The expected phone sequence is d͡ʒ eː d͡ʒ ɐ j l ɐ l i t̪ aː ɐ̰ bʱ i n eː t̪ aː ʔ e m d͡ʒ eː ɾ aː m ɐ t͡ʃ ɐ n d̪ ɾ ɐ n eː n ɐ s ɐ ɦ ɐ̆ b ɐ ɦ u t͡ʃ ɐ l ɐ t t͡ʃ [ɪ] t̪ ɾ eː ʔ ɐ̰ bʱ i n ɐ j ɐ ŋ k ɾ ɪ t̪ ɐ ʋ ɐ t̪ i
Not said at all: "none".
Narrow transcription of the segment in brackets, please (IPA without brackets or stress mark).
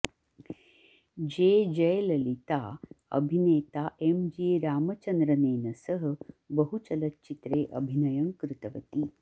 i